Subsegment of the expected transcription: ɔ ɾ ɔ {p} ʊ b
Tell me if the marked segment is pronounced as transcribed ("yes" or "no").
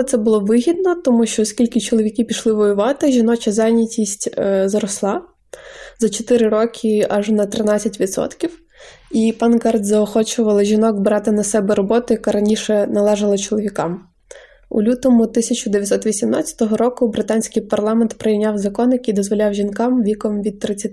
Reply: no